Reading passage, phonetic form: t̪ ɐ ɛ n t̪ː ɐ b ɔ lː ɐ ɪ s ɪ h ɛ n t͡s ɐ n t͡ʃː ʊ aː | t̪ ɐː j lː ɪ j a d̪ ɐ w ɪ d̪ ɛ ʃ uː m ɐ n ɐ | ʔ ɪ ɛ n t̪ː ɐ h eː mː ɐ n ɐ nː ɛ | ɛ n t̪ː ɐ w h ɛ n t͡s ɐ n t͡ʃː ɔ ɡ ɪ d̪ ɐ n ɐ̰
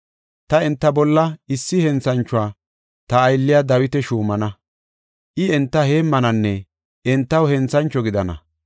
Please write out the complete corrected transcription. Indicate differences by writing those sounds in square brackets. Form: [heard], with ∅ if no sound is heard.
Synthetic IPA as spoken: t̪ ɐ ɛ n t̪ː ɐ b ɔ lː ɐ ɪ [sː] ɪ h ɛ n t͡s ɐ n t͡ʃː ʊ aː | t̪ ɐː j lː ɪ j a d̪ ɐ w ɪ [t̪] ɛ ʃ uː m ɐ n ɐ | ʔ ɪ ɛ n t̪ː ɐ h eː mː ɐ n ɐ nː ɛ | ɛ n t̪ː ɐ w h ɛ n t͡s ɐ n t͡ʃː ɔ ɡ ɪ d̪ ɐ n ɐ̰